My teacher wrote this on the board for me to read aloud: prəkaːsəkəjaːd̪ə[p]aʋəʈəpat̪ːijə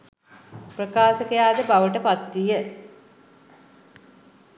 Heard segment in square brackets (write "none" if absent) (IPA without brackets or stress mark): b